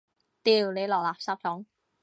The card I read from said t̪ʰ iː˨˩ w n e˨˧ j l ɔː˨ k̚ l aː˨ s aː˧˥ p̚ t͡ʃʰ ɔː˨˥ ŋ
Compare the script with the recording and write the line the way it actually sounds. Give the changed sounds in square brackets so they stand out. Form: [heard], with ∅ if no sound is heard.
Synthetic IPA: [t̪] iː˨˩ w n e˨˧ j l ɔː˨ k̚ l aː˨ s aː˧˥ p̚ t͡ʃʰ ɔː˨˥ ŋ